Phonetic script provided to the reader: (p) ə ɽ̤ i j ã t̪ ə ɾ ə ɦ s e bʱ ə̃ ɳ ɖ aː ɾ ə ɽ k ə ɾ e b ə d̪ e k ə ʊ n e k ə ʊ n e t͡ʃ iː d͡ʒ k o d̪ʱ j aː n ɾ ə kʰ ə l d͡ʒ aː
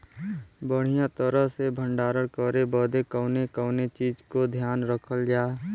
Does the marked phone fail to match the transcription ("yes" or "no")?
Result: yes